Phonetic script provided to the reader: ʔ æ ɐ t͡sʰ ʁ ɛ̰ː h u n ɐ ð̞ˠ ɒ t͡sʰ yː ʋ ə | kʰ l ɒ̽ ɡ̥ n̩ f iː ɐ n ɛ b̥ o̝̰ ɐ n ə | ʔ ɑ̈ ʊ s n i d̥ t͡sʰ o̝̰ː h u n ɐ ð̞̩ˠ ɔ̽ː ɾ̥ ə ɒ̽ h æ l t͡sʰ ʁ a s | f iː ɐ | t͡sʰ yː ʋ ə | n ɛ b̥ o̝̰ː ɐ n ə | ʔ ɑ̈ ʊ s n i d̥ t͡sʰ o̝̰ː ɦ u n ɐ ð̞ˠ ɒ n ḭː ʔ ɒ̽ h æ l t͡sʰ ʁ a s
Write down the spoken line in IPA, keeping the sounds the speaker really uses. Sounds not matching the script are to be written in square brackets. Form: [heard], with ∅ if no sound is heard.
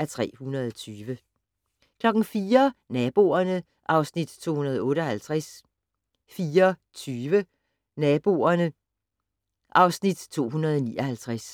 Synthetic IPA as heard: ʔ æ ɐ t͡sʰ ʁ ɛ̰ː h u n ɐ ð̞ˠ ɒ t͡sʰ yː ʋ ə | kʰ l ɒ̽ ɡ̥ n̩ f iː ɐ n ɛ b̥ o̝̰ ɐ n ə | ʔ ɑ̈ ʊ s n i d̥ t͡sʰ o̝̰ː h u n ɐ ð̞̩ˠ ɔ̽ː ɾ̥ ə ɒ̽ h æ l t͡sʰ ʁ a s | f iː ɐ | t͡sʰ yː ʋ ə | n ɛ b̥ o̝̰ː ɐ n ə | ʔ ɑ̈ ʊ s n i d̥ t͡sʰ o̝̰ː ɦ u n ɐ ð̞ˠ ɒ n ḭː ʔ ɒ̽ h æ l t͡sʰ ʁ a s

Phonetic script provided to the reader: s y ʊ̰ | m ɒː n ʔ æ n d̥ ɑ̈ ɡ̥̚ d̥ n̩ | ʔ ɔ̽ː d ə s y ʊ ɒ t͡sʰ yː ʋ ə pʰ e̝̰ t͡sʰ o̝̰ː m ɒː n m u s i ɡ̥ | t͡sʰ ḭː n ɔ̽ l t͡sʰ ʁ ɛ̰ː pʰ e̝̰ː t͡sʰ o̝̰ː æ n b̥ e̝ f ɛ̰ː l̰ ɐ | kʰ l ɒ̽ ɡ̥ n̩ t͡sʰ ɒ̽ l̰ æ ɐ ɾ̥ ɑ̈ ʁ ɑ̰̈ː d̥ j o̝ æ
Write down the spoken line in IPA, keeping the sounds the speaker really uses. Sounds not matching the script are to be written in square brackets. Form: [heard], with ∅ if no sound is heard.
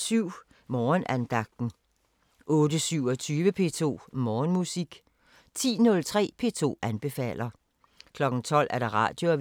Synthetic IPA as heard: s y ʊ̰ | m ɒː n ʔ æ n d̥ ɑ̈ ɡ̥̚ d̥ n̩ | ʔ ɔ̽ː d ə s y ʊ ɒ t͡sʰ yː ʋ ə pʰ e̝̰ t͡sʰ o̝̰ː m ɒː n m u s i ɡ̥ | t͡sʰ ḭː n ɔ̽ l t͡sʰ ʁ ɛ̰ː pʰ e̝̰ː t͡sʰ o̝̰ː æ n b̥ e̝ f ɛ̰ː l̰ ɐ | kʰ l ɒ̽ ɡ̥ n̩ t͡sʰ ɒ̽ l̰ æ ɐ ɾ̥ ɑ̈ ʁ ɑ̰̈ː d̥ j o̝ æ

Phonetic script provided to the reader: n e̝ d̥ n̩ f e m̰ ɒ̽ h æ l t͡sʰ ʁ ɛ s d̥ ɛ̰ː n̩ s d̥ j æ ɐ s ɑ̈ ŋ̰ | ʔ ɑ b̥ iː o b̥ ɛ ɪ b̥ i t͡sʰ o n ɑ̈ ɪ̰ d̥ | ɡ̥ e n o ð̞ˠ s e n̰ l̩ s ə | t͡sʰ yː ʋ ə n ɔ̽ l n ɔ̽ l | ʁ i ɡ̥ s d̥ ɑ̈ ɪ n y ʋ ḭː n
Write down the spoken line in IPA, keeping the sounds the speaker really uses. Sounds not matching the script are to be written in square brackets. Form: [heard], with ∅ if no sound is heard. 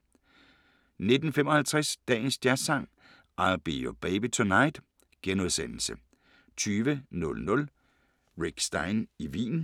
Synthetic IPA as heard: n e̝ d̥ n̩ f e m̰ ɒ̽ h æ l t͡sʰ ʁ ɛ s d̥ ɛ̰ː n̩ s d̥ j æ ɐ s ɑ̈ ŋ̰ | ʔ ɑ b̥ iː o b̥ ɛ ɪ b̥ i t͡sʰ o n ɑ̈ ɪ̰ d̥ | ɡ̥ e n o ð̞ˠ s e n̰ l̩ s ə | t͡sʰ yː ʋ ə n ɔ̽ l n ɔ̽ l | ʁ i ɡ̥ s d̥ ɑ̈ ɪ n [i] ʋ ḭː n

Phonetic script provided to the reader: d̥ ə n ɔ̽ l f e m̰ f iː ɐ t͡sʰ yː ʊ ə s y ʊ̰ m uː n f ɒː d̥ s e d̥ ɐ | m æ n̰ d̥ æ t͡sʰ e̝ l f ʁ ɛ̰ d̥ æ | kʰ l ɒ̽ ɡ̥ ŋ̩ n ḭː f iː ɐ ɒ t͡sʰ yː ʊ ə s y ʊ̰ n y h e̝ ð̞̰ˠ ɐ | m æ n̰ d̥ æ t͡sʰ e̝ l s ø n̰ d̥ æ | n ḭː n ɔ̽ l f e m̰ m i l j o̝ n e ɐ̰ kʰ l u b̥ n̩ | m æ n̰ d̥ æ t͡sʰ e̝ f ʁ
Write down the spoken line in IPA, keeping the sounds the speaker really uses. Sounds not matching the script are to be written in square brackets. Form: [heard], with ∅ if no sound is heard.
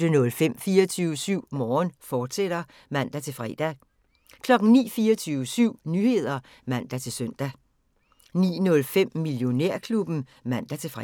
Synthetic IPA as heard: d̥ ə n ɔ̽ l f e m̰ f iː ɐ t͡sʰ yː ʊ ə s y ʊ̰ m [ɒː] n f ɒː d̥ s e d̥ ɐ | m æ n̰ d̥ æ t͡sʰ e̝ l f ʁ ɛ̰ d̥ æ | kʰ l ɒ̽ ɡ̥ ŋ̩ n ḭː f iː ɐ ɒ t͡sʰ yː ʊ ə s y ʊ̰ n y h e̝ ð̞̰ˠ ɐ | m æ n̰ d̥ æ t͡sʰ e̝ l s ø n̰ d̥ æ | n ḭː n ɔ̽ l f e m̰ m i l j o̝ n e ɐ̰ kʰ l u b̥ n̩ | m æ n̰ d̥ æ t͡sʰ e̝ f ʁ

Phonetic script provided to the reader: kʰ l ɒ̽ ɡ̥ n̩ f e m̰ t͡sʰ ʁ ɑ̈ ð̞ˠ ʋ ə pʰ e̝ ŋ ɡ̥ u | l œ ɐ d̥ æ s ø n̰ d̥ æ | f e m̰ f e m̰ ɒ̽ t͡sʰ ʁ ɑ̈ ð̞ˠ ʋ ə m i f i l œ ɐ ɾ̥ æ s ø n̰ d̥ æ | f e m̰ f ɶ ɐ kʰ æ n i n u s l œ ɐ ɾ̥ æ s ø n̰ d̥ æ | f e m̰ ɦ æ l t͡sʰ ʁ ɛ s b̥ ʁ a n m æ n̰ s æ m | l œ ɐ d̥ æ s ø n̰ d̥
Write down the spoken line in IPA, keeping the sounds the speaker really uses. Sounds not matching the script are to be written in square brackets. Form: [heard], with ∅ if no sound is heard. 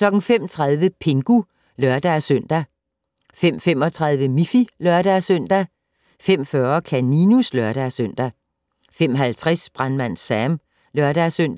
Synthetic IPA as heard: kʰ l ɒ̽ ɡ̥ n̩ f e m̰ t͡sʰ ʁ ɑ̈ ð̞ˠ ʋ ə pʰ e̝ ŋ ɡ̥ u | l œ ɐ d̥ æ s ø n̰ d̥ æ | f e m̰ f e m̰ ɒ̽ t͡sʰ ʁ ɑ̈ ð̞ˠ ʋ ə m i f i l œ ɐ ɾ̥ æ s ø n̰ d̥ æ | f e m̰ f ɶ ɐ kʰ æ n i n u s l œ ɐ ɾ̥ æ s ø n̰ d̥ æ | f e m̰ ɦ æ l t͡sʰ ʁ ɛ s b̥ ʁ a n m æ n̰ s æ m | l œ ɐ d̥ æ s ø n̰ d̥

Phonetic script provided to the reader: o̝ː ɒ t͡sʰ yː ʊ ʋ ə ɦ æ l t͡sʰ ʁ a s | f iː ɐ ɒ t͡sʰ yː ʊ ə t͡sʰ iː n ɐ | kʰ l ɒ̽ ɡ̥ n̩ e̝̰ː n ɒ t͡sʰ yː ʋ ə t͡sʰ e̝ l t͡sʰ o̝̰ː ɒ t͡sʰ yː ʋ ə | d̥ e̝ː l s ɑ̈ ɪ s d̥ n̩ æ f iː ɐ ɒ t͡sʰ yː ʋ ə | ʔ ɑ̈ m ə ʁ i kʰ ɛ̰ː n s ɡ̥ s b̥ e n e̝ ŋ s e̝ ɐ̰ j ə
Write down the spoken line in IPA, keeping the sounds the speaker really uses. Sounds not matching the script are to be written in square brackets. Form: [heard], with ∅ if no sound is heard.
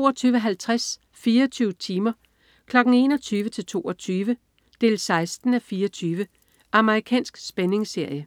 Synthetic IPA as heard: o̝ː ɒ t͡sʰ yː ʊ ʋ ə ɦ æ l t͡sʰ ʁ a s | f iː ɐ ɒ t͡sʰ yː ʊ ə t͡sʰ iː [m] ɐ | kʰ l ɒ̽ ɡ̥ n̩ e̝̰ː n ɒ t͡sʰ yː ʋ ə t͡sʰ e̝ l t͡sʰ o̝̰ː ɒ t͡sʰ yː ʋ ə | d̥ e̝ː l s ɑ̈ ɪ s d̥ n̩ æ f iː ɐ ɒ t͡sʰ yː ʋ ə | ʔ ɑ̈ m ə ʁ i kʰ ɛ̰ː n s ɡ̥ s b̥ e n e̝ ŋ s e̝ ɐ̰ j ə

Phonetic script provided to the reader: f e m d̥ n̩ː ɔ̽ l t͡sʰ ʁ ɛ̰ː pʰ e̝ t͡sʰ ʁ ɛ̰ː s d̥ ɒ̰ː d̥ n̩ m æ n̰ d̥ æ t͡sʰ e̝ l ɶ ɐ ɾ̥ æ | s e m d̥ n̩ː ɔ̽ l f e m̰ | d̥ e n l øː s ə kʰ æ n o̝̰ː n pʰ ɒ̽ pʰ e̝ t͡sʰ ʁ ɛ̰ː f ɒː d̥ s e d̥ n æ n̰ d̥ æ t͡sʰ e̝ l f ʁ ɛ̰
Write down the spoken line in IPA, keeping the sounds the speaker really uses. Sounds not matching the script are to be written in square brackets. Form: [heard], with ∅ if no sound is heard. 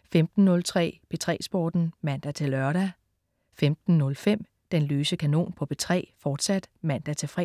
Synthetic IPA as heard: f e m d̥ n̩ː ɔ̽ l t͡sʰ ʁ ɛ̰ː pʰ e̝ t͡sʰ ʁ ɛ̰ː s [b̥] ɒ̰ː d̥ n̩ m æ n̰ d̥ æ t͡sʰ e̝ l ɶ ɐ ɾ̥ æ | [f] e m d̥ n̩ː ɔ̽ l f e m̰ | d̥ e n l øː s ə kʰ æ n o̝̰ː n pʰ ɒ̽ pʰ e̝ t͡sʰ ʁ ɛ̰ː f ɒː d̥ s [æ] d̥ [m] æ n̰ d̥ æ t͡sʰ e̝ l f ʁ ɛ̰

